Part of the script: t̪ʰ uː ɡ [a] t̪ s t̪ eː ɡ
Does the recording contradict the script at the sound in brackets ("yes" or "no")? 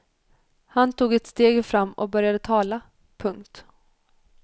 yes